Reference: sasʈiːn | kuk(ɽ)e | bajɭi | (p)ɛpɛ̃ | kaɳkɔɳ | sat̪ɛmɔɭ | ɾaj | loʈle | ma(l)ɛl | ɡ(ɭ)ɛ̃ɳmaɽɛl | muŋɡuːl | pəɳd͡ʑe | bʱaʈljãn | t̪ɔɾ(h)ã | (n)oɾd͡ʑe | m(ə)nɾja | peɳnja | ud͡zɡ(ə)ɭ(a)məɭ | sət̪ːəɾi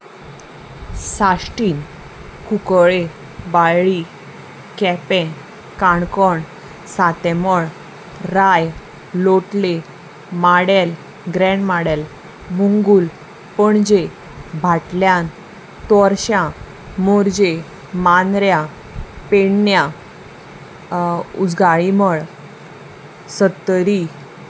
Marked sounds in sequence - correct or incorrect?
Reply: incorrect, incorrect, incorrect, incorrect, incorrect, incorrect, incorrect, incorrect, incorrect

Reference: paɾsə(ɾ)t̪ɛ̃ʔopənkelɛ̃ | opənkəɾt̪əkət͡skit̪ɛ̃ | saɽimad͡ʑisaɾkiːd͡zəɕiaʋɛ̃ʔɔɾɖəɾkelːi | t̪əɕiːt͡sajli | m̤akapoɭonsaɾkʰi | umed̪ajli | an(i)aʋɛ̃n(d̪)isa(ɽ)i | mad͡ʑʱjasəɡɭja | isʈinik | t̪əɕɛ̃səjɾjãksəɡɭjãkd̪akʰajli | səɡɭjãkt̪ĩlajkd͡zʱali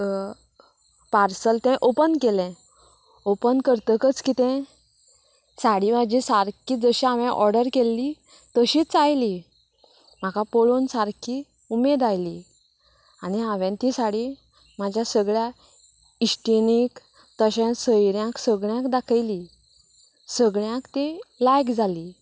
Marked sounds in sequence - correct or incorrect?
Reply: incorrect, correct, incorrect, correct

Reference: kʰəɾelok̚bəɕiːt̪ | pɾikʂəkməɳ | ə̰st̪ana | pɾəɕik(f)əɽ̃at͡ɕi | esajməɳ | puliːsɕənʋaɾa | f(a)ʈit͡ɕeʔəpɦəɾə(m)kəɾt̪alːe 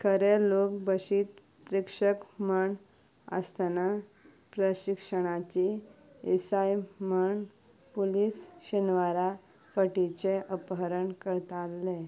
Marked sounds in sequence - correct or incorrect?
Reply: incorrect, incorrect, incorrect

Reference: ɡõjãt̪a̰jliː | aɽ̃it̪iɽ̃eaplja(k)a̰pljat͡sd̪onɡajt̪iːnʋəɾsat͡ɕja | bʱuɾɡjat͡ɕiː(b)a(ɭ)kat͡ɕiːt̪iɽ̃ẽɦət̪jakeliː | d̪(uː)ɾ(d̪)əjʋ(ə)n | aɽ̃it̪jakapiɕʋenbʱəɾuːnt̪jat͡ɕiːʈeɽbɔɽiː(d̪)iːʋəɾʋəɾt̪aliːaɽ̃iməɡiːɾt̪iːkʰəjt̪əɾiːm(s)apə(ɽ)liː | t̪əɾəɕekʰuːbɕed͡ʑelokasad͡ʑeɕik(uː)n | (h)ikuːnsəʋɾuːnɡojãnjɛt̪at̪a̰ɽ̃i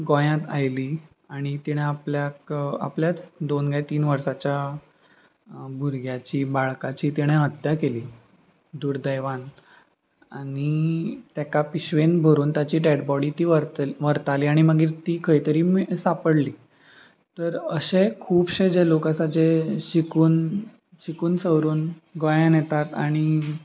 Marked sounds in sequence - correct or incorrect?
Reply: correct, correct, correct, correct, correct, incorrect, incorrect, correct, correct, correct, incorrect

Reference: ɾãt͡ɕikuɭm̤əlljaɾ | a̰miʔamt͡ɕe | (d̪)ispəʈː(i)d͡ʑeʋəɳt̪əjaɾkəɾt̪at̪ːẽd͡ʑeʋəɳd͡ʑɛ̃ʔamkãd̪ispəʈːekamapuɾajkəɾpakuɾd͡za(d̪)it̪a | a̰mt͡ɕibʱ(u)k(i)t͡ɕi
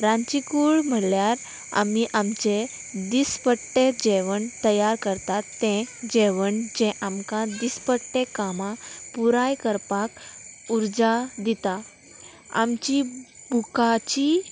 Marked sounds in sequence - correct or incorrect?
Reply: correct, incorrect, correct, correct, incorrect

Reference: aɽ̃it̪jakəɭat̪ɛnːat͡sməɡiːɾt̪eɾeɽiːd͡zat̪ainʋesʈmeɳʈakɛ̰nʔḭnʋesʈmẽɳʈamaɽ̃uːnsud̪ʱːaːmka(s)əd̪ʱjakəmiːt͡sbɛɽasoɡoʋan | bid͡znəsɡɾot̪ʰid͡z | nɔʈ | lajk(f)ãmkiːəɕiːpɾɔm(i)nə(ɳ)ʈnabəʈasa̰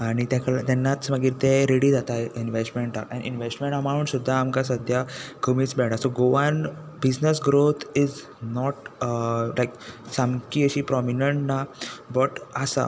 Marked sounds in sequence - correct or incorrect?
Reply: correct, incorrect, correct, correct

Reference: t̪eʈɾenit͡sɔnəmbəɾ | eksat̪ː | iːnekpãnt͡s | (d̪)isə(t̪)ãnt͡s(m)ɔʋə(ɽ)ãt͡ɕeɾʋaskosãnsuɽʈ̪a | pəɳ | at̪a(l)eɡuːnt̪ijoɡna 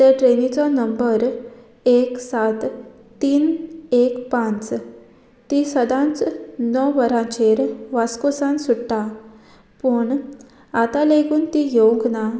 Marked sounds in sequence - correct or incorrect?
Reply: incorrect, incorrect, incorrect, incorrect, correct

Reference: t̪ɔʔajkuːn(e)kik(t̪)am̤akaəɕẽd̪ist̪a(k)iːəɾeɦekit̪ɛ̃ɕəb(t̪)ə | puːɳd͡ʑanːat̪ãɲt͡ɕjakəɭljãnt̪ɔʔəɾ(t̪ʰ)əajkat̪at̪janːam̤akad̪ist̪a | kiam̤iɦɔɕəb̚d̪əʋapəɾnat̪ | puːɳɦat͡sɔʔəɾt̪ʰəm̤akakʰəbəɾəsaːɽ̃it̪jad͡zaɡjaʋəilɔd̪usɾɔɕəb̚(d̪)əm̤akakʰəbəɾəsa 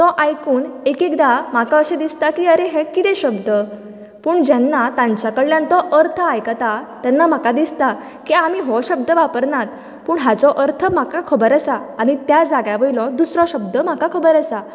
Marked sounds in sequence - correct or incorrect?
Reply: correct, incorrect, correct, incorrect, correct, correct

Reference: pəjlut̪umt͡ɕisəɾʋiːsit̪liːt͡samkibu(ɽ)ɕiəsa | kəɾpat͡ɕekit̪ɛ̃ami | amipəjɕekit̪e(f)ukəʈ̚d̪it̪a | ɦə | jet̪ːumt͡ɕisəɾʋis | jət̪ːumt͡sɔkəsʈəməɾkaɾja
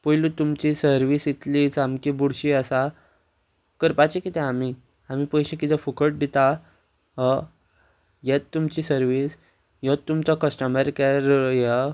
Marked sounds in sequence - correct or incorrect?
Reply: correct, correct

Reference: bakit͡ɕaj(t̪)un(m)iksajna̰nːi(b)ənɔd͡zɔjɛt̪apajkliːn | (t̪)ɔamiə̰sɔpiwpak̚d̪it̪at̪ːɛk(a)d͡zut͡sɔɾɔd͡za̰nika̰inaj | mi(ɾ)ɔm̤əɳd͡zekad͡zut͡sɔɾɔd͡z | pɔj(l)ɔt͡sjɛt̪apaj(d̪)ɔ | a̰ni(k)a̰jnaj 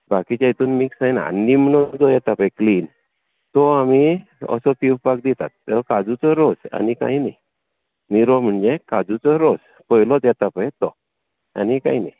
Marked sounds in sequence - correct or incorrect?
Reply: correct, correct, incorrect, correct, correct, correct, correct, incorrect, correct

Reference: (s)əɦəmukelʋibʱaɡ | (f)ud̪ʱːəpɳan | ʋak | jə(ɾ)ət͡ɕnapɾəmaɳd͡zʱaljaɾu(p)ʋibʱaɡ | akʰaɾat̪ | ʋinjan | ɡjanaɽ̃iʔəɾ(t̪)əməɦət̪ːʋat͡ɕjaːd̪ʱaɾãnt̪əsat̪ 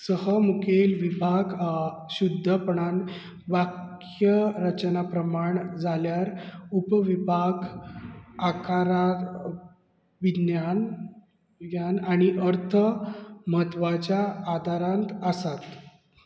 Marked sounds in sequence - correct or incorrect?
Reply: correct, incorrect, correct, correct, incorrect

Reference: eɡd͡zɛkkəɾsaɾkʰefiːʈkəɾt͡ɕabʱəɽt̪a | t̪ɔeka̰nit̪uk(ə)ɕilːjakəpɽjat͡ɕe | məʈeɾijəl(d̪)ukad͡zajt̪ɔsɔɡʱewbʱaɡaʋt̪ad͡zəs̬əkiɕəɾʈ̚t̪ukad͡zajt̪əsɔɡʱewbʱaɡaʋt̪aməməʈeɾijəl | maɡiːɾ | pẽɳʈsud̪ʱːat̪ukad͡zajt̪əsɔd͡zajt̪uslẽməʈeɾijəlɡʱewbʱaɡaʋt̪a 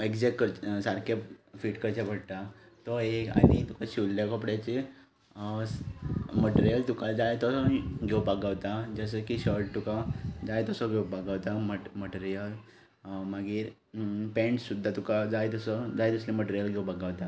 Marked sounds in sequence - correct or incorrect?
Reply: incorrect, incorrect

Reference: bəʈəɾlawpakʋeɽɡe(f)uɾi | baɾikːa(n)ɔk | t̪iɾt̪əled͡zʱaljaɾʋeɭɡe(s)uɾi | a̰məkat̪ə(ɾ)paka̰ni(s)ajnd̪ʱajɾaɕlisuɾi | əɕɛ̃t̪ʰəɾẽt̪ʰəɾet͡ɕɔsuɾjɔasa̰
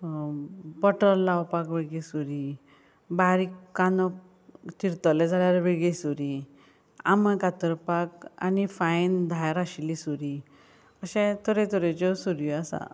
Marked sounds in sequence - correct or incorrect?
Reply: incorrect, correct, correct, correct, incorrect

